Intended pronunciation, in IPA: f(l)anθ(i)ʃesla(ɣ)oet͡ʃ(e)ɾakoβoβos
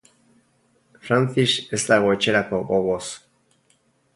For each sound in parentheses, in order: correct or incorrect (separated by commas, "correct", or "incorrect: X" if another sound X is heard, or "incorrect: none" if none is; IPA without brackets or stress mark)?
incorrect: ɾ, correct, correct, correct